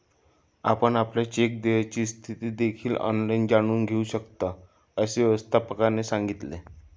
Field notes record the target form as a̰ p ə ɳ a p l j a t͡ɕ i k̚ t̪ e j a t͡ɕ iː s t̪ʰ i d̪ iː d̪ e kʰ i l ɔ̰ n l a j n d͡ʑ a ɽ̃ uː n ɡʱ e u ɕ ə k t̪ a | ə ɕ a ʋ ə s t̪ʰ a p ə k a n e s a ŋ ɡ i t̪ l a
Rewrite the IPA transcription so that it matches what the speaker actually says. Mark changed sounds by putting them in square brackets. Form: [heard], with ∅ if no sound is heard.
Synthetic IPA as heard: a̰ p ə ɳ a p l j a t͡ɕ [e] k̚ [d̪] e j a t͡ɕ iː s t̪ʰ i [t̪] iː d̪ e kʰ [iː] l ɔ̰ n l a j n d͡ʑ a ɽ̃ uː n ɡʱ e u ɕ ə k t̪ a | ə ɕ [e] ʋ ə s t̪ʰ a p ə k a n e s a ŋ ɡ i t̪ l [e]